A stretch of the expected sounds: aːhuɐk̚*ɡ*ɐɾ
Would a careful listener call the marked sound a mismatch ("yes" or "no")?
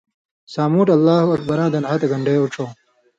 yes